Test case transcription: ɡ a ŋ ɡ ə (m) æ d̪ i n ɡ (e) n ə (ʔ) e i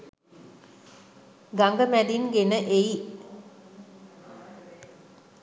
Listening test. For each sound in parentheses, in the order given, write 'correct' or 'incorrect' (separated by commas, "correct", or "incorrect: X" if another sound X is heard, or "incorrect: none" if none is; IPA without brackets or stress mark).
correct, correct, correct